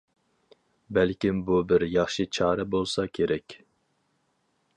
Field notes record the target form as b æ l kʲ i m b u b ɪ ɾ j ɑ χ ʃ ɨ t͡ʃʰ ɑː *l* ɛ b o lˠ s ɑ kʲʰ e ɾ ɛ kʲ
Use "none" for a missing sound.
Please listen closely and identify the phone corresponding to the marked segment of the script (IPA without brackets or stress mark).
ɾ